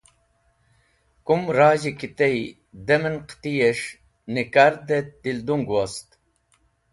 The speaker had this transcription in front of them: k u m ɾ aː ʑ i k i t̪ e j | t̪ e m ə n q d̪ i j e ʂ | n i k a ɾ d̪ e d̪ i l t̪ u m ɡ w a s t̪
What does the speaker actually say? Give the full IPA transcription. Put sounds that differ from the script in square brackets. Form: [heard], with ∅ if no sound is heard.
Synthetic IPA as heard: k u m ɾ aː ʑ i k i t̪ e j | [d̪] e m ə n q [t̪] i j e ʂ | n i k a ɾ d̪ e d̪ i l [d̪] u [ŋ] ɡ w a s t̪